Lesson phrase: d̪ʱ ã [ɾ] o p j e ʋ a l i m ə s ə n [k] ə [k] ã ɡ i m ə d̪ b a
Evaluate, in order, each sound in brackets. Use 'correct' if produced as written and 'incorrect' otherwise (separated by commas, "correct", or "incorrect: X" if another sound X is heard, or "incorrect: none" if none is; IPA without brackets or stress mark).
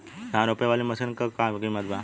correct, correct, correct